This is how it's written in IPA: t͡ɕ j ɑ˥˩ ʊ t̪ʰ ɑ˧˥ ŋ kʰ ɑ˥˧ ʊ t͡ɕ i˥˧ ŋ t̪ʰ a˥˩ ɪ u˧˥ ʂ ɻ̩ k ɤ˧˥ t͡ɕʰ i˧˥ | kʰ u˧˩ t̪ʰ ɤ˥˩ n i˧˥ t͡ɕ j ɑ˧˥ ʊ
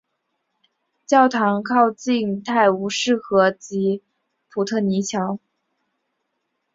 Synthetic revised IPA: t͡ɕ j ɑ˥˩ ʊ t̪ʰ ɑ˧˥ ŋ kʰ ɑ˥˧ ʊ t͡ɕ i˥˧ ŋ t̪ʰ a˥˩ ɪ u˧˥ ʂ ɻ̩ x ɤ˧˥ t͡ɕ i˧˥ | pʰ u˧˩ t̪ʰ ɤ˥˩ n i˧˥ t͡ɕʰ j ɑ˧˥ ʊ